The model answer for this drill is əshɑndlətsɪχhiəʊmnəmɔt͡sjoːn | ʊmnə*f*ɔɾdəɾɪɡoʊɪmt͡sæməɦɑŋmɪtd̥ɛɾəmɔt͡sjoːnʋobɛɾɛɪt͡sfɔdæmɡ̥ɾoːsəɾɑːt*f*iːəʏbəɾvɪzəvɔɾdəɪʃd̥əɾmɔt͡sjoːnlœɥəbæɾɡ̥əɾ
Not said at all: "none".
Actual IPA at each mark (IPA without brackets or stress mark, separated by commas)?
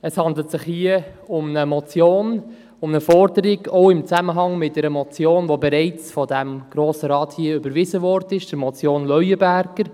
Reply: f, h